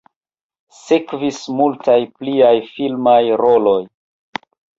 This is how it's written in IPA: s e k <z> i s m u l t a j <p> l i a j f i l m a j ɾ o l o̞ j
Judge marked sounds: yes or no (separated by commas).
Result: no, yes